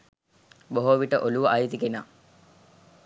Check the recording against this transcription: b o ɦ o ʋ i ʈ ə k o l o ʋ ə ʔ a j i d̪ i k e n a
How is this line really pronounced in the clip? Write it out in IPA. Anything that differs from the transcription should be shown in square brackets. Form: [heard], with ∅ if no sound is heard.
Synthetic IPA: b o ɦ o ʋ i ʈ ə [ʔ] o l [u] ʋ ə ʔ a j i [t̪] i k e n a